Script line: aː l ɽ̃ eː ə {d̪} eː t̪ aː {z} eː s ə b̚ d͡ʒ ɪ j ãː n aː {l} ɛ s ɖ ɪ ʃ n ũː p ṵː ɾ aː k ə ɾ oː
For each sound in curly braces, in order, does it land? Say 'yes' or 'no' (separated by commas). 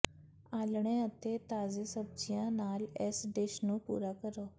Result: no, yes, yes